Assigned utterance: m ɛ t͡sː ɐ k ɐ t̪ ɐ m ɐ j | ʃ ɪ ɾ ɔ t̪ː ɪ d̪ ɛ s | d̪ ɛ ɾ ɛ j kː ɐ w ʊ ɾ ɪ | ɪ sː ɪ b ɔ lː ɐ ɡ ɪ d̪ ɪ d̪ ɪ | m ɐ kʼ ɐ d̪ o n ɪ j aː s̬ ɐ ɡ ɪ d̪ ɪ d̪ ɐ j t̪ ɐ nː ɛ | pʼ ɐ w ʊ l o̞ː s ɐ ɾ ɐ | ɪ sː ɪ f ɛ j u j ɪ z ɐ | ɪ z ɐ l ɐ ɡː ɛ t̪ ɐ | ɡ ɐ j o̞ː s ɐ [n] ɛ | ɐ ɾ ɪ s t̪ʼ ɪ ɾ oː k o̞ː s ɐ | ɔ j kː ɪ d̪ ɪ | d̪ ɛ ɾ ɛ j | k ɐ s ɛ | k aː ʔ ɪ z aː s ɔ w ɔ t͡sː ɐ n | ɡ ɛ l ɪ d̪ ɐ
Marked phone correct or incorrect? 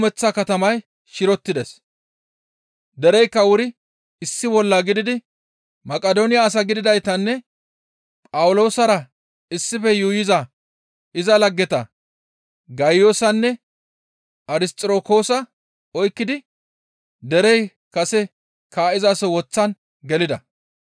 incorrect